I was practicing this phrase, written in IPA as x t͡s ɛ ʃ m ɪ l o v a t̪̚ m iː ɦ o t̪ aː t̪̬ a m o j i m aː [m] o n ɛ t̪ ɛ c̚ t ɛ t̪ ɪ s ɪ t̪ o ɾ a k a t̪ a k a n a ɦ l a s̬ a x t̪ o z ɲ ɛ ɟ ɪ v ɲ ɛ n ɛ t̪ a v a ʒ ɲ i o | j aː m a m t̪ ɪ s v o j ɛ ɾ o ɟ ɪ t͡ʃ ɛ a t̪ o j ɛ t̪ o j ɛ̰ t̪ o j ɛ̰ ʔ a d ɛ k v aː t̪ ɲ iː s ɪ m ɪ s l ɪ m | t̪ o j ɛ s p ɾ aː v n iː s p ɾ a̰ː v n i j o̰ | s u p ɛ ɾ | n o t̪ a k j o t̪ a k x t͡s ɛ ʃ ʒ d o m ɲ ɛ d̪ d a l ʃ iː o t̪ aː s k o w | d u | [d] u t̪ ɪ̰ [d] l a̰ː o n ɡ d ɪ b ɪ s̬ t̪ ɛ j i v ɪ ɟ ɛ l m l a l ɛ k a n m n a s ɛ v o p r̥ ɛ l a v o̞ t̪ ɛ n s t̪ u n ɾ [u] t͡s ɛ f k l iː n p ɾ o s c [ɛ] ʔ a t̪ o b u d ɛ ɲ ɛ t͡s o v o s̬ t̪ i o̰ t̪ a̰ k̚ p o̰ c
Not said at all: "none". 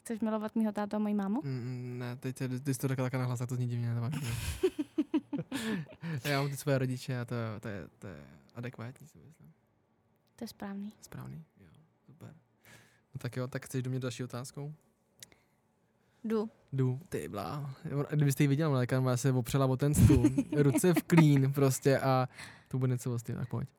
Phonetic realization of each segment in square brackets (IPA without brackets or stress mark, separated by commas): m, d, b, u, ɛ